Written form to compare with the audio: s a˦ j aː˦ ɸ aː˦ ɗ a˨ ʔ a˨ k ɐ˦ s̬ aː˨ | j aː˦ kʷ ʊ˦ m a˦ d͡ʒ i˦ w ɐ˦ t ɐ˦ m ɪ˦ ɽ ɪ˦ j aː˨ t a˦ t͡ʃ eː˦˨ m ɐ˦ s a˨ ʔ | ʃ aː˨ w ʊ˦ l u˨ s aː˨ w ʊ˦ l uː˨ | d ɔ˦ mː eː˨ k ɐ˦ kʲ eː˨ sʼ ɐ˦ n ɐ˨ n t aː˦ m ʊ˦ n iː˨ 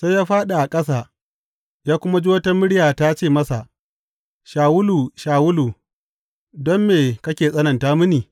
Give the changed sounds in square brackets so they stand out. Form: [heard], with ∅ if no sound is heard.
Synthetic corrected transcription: s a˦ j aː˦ ɸ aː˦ ɗ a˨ ʔ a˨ [kʼ] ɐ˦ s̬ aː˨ | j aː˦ kʷ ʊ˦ m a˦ d͡ʒ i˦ w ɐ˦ t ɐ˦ m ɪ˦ ɽ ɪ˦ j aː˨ t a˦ t͡ʃ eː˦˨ m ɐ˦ s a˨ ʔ | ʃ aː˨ w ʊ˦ l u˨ [ʃ] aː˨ w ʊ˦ l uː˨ | d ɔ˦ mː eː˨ k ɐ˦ kʲ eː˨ sʼ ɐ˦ n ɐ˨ n t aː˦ m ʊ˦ n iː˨

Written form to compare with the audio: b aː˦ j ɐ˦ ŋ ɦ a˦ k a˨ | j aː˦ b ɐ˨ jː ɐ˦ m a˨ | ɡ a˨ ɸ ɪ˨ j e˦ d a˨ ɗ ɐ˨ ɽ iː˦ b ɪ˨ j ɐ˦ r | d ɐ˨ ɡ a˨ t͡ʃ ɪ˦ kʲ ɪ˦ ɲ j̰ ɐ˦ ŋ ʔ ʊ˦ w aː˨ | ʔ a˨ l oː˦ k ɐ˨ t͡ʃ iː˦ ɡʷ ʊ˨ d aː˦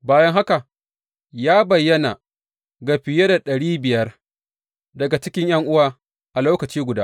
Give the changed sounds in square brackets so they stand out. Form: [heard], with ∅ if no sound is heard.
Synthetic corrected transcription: b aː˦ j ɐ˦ ŋ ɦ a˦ k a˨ | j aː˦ b ɐ˨ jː ɐ˦ [n] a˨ | ɡ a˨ ɸ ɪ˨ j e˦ d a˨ ɗ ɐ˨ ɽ iː˦ b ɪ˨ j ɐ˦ r | d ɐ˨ ɡ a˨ t͡ʃ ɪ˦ kʲ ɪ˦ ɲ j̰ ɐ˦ ŋ ʔ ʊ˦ w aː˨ | ʔ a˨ l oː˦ k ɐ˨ t͡ʃ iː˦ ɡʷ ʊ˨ d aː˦

